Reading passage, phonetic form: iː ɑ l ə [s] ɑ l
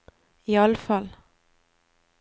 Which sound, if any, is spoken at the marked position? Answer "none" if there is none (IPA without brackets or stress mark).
f